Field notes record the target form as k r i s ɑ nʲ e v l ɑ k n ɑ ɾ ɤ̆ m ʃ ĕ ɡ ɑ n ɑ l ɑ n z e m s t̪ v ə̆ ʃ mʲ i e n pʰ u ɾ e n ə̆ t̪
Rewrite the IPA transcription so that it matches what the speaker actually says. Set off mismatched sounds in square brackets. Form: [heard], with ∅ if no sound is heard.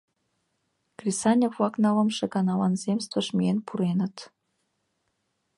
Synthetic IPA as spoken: k r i s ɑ nʲ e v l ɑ k n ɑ [l] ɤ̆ m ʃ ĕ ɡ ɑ n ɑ l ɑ n z e m s t̪ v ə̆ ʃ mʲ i e n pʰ u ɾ e n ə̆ t̪